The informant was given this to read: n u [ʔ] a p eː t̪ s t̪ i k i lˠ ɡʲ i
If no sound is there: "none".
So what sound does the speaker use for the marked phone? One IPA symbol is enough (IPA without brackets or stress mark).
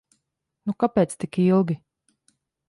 k